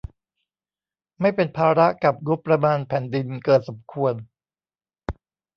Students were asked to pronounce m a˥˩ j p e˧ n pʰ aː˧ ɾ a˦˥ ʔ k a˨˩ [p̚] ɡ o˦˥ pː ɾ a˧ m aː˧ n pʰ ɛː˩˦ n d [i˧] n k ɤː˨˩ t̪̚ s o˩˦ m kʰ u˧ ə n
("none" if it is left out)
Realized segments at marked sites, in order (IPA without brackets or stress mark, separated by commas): p̚, i˧